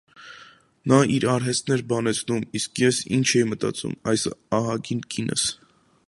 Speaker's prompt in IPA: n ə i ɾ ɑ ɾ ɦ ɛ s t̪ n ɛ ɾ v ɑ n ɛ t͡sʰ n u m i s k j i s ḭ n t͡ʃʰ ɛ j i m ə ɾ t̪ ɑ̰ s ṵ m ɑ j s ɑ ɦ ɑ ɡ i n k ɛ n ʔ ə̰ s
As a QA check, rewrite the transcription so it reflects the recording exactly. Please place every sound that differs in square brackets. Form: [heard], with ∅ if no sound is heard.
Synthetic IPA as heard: n [ɑ] i ɾ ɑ ɾ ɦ ɛ s t̪ n ɛ ɾ [b] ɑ n ɛ t͡sʰ n u m i s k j [ɛ] s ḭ n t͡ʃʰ ɛ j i m ə [∅] t̪ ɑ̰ [t͡s] ṵ m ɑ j s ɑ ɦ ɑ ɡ i n k [i] n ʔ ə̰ s